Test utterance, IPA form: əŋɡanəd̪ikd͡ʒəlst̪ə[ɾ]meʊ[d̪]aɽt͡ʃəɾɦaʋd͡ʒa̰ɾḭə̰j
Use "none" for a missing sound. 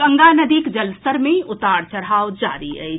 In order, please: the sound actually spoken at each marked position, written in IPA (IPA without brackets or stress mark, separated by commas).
ɾ, t̪